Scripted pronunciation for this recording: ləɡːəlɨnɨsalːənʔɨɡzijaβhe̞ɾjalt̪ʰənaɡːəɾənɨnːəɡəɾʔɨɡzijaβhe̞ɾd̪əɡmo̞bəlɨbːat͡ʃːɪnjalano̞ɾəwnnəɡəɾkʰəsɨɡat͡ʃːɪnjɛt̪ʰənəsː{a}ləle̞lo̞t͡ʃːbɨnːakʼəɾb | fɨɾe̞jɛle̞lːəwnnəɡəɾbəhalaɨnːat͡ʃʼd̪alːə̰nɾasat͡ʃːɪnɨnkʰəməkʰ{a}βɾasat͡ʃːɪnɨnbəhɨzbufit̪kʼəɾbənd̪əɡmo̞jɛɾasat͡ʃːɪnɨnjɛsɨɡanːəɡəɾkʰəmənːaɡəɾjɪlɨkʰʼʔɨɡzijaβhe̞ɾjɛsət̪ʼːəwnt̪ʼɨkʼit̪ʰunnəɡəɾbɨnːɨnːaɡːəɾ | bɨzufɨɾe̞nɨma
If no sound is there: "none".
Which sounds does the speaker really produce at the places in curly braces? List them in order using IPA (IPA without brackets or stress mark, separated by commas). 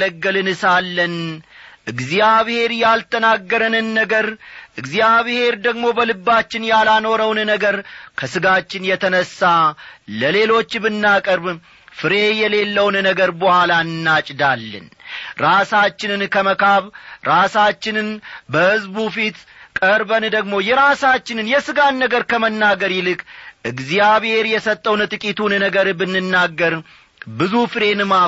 a, a